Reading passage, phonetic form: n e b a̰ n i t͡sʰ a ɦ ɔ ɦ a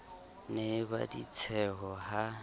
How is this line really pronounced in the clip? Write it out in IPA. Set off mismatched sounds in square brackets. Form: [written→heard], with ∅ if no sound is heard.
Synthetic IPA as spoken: n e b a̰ [n→d] i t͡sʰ [a→ɛ] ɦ ɔ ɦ a